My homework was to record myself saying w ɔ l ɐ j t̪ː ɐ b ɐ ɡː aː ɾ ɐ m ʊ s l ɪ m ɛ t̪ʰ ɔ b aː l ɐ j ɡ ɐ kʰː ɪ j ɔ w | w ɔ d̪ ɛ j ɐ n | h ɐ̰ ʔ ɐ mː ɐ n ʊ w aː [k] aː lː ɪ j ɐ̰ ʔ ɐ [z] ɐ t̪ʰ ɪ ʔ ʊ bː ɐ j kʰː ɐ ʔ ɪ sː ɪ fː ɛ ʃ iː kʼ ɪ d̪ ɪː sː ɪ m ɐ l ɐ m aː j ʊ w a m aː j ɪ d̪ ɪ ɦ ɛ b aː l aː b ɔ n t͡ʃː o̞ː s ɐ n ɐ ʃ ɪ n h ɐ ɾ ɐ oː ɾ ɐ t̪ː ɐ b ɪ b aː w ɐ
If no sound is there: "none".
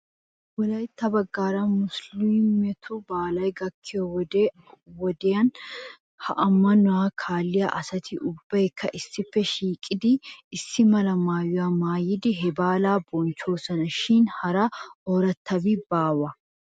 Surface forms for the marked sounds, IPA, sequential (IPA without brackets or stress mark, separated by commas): kʰ, s